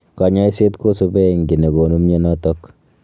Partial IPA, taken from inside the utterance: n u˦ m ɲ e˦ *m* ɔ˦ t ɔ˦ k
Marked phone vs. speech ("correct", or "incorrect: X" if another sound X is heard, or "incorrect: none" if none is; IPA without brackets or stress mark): incorrect: n